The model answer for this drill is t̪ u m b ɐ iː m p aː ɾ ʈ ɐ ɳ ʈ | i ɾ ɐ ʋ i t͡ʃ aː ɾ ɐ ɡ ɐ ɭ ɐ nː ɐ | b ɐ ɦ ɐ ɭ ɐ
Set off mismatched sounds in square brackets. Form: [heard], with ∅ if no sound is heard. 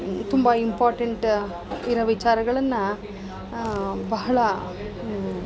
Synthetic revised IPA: t̪ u m b ɐ [i] m p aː ɾ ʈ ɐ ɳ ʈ | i ɾ ɐ ʋ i t͡ʃ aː ɾ ɐ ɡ ɐ ɭ ɐ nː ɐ | b ɐ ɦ ɐ ɭ ɐ